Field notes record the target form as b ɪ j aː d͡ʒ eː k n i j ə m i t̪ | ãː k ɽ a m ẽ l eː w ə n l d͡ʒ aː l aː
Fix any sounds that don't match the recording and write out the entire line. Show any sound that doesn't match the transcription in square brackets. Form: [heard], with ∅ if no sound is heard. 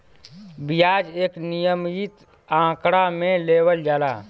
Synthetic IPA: b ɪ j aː d͡ʒ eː k n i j ə m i t̪ | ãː k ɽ a m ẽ l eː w ə [∅] l d͡ʒ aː l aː

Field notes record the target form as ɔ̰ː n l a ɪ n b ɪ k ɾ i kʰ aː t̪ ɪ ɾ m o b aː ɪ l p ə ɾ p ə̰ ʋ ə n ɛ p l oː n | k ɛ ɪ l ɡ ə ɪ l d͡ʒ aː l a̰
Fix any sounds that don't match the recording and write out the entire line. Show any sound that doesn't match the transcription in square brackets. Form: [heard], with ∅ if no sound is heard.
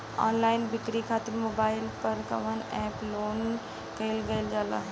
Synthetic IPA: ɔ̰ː n l a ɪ n b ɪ k ɾ i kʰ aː t̪ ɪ ɾ m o b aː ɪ l p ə ɾ [k] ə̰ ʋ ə n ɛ p l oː n | k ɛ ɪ l ɡ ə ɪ l d͡ʒ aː l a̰

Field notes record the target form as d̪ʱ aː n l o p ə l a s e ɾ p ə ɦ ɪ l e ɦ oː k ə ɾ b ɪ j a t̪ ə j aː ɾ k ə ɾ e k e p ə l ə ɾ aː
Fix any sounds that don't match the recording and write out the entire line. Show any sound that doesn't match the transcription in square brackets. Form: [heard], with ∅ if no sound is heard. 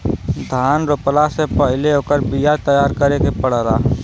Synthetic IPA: d̪ʱ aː n [ɾ] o p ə l a s e [∅] p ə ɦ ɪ l e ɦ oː k ə ɾ b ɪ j a t̪ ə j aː ɾ k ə ɾ e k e p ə [ɽ] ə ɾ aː

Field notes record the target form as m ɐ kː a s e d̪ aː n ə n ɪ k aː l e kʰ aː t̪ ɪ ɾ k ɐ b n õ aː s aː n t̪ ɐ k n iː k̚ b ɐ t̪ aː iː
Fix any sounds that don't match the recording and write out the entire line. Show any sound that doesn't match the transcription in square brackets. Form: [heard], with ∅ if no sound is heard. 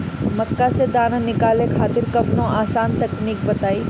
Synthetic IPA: m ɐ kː a s e d̪ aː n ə n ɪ k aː l e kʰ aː t̪ ɪ ɾ k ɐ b n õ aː s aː n t̪ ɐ k n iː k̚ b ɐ t̪ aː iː

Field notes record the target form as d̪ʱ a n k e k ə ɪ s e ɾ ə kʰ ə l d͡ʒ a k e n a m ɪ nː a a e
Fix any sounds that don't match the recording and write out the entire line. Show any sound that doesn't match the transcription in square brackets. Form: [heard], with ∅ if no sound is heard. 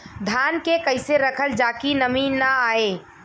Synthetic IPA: d̪ʱ a n k e k ə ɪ s e ɾ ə kʰ ə l d͡ʒ a k [i] n [ə] m [i] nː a a e

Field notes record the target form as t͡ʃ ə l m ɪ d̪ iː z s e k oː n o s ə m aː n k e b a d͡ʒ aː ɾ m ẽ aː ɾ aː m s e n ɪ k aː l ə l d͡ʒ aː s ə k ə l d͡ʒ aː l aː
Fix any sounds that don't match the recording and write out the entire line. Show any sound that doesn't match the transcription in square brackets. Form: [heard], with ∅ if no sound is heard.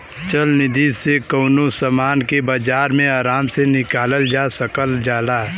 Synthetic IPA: t͡ʃ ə l [n] ɪ d̪ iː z s e k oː n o s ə m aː n k e b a d͡ʒ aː ɾ m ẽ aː ɾ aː m s e n ɪ k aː l ə l d͡ʒ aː s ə k ə l d͡ʒ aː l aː

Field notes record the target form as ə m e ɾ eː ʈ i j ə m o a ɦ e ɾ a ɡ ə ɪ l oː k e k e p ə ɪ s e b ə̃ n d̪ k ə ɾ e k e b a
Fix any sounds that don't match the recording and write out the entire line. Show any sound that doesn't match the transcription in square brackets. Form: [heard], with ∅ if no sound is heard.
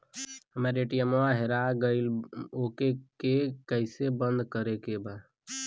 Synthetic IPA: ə m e ɾ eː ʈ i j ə m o a ɦ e ɾ a ɡ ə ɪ l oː k e k e [k] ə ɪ s e b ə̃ n d̪ k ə ɾ e k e b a

